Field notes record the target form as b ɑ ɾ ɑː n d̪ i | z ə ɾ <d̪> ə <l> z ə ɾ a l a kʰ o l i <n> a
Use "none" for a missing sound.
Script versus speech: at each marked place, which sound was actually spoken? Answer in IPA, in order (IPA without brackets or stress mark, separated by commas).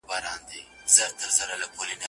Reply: t̪, ɾ, n